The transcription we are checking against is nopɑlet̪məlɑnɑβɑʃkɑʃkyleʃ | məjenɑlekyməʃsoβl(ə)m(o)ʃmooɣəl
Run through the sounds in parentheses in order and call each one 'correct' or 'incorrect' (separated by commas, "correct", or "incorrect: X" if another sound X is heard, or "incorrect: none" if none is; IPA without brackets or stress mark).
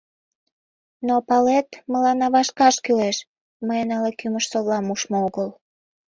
incorrect: ɑ, incorrect: u